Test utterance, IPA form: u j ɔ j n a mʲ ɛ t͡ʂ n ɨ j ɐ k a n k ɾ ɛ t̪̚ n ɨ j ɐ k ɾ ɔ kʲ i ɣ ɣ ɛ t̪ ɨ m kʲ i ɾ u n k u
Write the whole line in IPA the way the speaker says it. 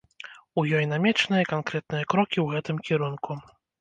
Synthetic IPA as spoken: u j ɔ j n a mʲ ɛ t͡ʂ n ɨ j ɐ k a n k ɾ ɛ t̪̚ n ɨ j ɐ k ɾ ɔ kʲ i w ɣ ɛ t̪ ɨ m kʲ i ɾ u n k u